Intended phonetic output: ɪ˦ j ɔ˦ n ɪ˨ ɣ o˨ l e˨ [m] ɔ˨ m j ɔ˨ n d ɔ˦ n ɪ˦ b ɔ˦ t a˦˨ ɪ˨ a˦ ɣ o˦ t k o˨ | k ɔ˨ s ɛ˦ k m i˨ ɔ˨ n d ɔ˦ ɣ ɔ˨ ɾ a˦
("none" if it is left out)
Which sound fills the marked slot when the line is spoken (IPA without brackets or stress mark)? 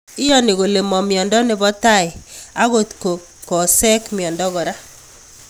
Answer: m